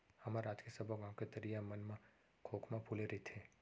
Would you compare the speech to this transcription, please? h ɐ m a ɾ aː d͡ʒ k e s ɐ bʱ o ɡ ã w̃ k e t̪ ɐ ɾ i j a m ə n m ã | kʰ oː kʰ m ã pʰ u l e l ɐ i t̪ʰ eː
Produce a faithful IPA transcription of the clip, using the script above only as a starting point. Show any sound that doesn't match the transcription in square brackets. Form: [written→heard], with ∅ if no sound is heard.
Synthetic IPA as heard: h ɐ m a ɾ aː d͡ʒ k e s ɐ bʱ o ɡ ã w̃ k e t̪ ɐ ɾ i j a m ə n m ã | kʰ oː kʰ m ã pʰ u l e [l→ɾ] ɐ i t̪ʰ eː